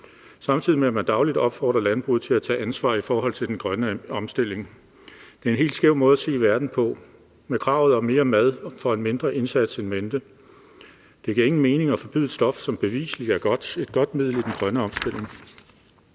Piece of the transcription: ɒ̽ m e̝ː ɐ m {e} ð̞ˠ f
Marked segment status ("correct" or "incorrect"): incorrect